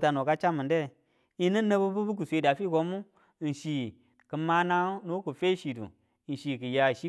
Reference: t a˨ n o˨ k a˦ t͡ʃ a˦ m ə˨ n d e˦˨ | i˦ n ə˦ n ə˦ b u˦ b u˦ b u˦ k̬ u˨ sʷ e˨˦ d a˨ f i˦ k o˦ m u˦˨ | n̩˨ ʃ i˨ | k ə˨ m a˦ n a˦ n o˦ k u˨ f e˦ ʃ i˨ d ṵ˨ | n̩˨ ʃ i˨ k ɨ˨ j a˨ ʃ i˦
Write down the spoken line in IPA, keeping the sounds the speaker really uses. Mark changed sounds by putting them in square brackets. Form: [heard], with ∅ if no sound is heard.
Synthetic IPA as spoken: t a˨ n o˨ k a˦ t͡ʃ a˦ m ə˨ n d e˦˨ | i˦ n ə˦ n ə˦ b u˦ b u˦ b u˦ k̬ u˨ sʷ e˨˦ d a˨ f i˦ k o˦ m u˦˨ | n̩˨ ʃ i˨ | k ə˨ m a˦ n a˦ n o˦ k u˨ f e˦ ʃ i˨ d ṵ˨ | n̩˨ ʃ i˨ k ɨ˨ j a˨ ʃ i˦

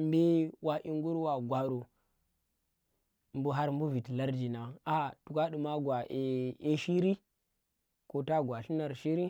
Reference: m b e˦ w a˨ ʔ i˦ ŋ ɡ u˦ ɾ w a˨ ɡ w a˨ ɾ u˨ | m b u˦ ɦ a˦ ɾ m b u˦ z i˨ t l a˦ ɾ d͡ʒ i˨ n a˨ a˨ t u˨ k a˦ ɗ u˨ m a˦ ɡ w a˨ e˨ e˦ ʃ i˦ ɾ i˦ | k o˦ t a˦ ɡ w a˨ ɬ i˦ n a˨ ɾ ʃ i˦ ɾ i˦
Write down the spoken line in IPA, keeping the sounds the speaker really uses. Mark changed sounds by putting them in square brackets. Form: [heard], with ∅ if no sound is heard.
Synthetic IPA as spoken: m b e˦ w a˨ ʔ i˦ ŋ ɡ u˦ ɾ w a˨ ɡ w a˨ ɾ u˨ | m b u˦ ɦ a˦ ɾ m b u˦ [v] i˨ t l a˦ ɾ d͡ʒ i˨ n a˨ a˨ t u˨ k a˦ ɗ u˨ m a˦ ɡ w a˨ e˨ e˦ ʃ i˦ ɾ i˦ | k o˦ t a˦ ɡ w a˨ ɬ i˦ n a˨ ɾ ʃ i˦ ɾ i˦

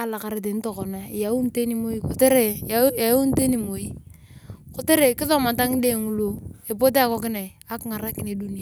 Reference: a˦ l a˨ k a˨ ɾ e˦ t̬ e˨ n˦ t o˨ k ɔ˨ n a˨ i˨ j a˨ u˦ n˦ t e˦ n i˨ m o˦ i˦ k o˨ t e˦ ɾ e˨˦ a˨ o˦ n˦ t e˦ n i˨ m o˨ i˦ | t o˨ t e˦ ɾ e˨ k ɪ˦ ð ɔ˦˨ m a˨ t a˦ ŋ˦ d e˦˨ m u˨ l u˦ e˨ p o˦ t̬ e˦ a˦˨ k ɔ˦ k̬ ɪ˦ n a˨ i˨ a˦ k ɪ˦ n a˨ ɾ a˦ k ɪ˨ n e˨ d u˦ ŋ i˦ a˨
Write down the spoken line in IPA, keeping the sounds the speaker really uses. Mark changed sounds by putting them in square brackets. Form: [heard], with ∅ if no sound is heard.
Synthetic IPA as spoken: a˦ l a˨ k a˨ ɾ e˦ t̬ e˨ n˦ t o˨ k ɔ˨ n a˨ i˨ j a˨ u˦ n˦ t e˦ n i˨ m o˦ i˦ k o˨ t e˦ ɾ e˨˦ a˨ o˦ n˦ t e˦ n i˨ m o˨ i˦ | [k] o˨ t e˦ ɾ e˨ k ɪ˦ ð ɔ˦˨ m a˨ t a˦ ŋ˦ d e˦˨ [ŋ] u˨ l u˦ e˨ p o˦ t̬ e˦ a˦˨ k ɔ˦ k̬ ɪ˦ n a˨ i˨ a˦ k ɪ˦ [ŋ] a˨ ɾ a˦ k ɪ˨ n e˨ d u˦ [n] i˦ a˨

